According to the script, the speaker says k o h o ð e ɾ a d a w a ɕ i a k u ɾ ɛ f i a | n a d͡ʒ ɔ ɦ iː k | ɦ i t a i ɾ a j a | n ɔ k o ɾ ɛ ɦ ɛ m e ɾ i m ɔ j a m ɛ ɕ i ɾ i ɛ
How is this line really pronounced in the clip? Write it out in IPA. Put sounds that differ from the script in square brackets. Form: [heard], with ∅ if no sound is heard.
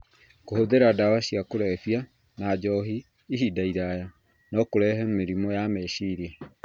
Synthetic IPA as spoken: k o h o ð e ɾ a d a w a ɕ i a k [o] ɾ ɛ f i a | n a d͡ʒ ɔ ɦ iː [∅] | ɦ i [d] a i ɾ a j a | n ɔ k o ɾ ɛ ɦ ɛ m e ɾ i m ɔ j a m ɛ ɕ i ɾ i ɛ